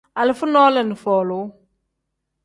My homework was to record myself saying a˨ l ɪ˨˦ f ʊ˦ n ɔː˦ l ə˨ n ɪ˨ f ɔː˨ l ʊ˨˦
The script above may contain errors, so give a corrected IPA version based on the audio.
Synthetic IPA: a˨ l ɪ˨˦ f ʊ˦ n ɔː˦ l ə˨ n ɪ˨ f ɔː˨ l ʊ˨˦